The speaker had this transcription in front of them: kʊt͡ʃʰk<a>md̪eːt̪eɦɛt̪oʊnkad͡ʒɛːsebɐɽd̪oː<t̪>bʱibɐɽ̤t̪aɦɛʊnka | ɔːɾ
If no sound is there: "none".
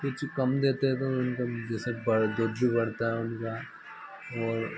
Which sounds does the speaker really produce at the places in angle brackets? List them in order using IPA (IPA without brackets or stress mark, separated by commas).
ɐ, d̪